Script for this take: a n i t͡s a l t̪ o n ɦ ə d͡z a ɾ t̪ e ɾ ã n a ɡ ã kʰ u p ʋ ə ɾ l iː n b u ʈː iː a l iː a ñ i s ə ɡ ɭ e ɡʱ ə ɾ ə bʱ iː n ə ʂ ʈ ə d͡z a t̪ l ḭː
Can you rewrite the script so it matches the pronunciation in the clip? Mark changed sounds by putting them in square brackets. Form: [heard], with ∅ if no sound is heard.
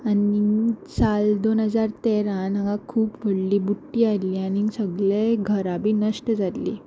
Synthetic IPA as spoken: a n i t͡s a l [d̪] o n ɦ ə d͡z a ɾ t̪ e ɾ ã n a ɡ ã kʰ [uː] p ʋ ə [ɽ] l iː [∅] b u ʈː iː a l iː a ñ i s ə ɡ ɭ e ɡʱ ə ɾ [a] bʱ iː n ə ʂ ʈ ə d͡z a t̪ l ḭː